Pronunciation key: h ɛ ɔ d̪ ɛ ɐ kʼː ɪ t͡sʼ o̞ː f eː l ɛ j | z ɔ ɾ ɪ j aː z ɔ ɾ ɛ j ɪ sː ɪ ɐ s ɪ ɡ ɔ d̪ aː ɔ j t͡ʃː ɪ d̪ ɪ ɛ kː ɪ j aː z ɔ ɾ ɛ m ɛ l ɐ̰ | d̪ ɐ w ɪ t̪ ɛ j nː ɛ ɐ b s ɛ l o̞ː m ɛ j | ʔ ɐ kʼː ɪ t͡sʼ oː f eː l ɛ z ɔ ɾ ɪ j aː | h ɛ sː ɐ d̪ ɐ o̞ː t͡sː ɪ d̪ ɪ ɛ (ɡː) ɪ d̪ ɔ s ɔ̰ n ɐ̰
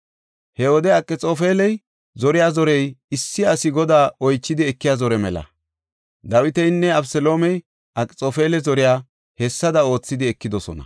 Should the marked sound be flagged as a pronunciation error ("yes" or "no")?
yes